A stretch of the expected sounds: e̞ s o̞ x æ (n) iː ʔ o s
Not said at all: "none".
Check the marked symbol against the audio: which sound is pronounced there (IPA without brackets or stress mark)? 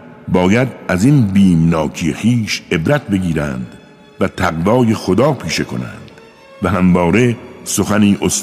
n